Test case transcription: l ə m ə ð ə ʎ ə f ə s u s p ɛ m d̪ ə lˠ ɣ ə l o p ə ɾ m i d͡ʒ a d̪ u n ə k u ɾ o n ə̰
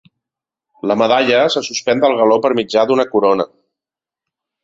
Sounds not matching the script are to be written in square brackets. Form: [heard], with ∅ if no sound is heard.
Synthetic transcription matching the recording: l ə m ə ð [a] ʎ ə [s] ə s u s p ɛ [n] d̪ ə lˠ ɣ ə l o p ə ɾ m i d͡ʒ a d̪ u n ə k u ɾ o n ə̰